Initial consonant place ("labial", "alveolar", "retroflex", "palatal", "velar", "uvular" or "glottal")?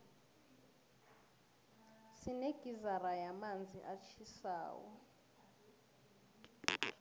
alveolar